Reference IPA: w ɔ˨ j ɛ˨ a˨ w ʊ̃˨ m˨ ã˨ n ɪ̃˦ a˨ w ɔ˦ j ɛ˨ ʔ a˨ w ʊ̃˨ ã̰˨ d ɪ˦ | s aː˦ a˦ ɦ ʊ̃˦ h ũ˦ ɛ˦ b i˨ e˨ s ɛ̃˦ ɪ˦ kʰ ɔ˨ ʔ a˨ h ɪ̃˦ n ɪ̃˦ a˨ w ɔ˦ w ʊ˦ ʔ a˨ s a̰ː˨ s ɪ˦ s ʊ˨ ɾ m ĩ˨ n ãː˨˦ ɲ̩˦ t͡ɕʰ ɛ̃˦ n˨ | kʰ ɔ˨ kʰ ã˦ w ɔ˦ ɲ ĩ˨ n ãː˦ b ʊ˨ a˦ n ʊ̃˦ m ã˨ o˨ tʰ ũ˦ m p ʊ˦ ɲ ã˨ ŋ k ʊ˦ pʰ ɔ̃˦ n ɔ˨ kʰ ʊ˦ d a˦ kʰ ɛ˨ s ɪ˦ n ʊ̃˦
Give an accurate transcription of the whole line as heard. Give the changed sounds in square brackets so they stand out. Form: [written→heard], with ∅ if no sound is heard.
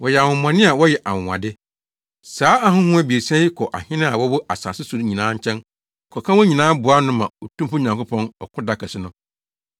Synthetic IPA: w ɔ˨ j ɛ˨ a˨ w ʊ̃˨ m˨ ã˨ n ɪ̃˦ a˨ w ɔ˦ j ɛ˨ ʔ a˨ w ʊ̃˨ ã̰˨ d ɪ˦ | s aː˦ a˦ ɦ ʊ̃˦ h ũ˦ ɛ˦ b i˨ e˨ s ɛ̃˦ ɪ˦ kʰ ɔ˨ ʔ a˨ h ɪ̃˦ n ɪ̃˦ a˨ w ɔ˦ w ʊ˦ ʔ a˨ s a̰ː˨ s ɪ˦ s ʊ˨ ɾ [m→ɲ] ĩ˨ n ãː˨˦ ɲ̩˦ t͡ɕʰ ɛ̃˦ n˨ | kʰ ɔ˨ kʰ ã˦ w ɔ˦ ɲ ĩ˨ n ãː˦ b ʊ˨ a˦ n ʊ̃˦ m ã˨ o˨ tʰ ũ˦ m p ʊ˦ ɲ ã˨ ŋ k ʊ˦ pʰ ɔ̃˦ n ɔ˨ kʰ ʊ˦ d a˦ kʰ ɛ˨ s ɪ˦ n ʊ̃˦